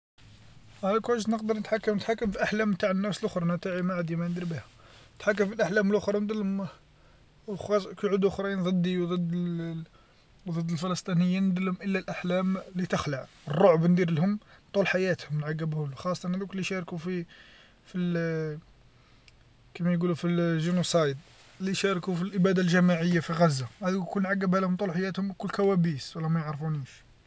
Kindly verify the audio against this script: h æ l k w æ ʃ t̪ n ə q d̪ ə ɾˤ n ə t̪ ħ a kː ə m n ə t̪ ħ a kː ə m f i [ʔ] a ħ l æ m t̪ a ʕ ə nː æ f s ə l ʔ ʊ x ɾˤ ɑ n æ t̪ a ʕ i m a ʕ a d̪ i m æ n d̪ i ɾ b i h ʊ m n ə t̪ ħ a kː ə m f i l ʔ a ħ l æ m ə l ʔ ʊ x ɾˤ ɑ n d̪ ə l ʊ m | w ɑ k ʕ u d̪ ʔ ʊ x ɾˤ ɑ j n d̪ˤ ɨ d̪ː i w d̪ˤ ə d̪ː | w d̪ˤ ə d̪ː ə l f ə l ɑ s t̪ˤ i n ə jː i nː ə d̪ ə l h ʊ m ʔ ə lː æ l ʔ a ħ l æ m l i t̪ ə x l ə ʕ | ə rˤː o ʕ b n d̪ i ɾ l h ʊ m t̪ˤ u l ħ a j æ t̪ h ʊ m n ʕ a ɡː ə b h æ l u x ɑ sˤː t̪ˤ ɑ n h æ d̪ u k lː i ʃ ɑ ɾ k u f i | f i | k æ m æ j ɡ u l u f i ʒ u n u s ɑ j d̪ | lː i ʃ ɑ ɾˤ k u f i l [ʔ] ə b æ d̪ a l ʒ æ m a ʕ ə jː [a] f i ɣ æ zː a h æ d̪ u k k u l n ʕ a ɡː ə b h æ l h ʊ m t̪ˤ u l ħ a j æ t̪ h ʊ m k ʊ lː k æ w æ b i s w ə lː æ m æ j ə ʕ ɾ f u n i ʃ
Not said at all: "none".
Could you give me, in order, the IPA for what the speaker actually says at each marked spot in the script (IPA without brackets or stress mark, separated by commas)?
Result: ʔ, ʔ, a